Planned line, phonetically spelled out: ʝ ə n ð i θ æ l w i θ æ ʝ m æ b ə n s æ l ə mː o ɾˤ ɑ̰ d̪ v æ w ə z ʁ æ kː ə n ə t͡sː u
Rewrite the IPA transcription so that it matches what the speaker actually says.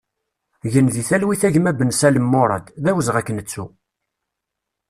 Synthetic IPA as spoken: ʝ ə n ð i θ æ l w i θ æ ʝ m æ b ə n s æ l ə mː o ɾˤ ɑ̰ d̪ ð æ w ə z ʁ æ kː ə n ə t͡sː u